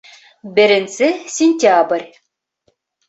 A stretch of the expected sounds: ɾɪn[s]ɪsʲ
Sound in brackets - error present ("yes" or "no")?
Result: no